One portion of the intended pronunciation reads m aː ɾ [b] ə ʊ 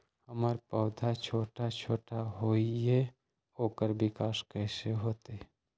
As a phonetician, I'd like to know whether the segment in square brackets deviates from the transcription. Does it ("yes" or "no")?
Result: yes